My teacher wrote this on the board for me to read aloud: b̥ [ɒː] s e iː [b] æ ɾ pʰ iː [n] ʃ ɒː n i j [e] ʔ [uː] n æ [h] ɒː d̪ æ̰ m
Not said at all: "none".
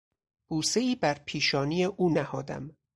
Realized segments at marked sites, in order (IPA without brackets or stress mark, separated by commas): uː, b, none, e, uː, h